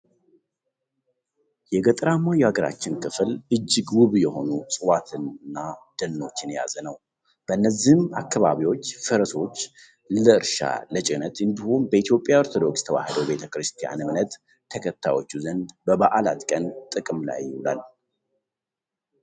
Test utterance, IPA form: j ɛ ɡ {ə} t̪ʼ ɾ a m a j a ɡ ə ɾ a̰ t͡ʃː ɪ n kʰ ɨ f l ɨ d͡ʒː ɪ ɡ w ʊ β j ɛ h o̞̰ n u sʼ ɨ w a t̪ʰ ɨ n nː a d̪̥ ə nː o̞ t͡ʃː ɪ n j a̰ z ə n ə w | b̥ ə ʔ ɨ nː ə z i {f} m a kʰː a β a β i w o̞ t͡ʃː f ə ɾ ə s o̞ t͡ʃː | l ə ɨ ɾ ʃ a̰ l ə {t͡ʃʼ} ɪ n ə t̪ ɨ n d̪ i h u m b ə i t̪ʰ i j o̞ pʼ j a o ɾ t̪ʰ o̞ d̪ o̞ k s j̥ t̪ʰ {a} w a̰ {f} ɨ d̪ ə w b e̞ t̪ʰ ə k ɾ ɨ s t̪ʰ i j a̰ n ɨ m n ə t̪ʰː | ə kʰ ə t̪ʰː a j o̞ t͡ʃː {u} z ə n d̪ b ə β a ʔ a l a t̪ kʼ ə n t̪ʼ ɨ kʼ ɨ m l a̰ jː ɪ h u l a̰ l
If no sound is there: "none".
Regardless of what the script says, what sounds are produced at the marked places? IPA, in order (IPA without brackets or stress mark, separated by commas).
ə, h, t͡ʃʼ, ə, h, u